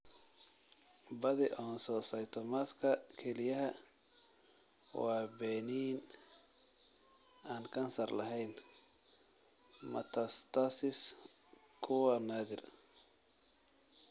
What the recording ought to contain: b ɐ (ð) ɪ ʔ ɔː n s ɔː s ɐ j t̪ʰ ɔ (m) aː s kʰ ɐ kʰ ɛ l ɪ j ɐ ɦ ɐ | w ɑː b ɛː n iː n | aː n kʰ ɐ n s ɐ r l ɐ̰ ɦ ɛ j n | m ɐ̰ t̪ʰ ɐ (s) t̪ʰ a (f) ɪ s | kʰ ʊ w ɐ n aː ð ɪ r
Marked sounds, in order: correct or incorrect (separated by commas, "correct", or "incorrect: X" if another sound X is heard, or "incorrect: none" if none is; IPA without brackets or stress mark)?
correct, correct, correct, incorrect: s